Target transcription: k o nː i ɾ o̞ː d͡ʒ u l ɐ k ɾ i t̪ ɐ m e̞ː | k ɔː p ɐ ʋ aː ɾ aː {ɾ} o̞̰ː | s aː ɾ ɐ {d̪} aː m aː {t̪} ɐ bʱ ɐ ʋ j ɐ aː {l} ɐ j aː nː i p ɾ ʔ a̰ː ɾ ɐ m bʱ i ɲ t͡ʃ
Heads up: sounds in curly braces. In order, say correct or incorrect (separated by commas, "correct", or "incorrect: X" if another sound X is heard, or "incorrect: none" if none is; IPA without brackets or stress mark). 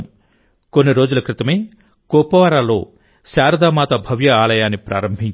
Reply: incorrect: l, correct, correct, correct